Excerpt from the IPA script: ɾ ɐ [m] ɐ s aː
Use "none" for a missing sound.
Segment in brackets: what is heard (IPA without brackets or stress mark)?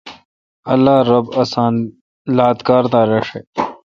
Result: b